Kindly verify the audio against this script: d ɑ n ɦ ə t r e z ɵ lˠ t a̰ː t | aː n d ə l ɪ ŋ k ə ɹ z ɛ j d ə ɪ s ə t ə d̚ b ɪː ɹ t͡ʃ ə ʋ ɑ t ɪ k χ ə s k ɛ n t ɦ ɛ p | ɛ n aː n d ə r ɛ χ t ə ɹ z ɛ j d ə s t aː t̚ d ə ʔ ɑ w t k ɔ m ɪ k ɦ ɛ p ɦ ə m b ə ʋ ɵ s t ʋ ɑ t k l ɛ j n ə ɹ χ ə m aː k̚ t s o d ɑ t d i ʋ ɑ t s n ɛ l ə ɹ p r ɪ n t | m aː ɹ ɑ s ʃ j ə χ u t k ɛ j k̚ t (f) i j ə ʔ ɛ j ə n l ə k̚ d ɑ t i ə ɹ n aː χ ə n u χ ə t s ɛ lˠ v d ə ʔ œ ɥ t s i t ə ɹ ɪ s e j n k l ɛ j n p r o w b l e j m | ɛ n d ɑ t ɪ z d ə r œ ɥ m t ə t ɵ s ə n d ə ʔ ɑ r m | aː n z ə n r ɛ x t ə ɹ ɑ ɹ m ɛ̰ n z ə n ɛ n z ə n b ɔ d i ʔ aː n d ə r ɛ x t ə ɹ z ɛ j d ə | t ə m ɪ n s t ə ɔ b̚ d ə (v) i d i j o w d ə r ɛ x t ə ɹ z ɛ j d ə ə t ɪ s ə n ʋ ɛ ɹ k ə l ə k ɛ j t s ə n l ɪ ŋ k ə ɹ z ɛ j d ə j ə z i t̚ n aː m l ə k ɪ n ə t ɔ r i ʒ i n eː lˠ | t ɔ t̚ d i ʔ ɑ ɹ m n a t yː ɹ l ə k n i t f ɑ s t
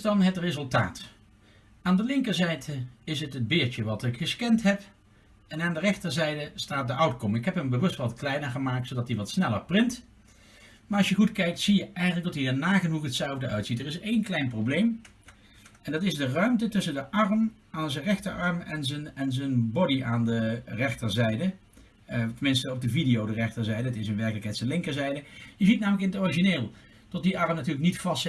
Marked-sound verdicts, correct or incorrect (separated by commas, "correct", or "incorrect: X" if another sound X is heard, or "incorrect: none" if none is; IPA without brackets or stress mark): incorrect: s, correct